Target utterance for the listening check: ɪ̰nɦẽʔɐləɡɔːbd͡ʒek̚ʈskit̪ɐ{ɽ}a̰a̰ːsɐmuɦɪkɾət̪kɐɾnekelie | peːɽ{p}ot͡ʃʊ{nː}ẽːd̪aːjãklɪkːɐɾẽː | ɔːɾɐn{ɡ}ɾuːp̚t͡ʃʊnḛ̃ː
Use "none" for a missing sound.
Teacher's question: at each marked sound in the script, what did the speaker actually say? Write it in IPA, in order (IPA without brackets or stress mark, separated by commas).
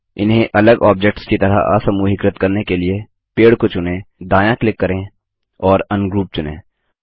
ɾ, k, n, ɡ